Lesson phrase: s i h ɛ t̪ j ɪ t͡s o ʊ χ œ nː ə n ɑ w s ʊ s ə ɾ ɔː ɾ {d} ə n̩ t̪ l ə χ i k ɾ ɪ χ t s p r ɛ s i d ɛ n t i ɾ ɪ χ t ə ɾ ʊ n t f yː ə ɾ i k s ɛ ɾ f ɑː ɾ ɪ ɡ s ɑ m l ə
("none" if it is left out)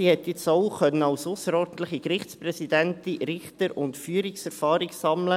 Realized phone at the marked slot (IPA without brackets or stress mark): d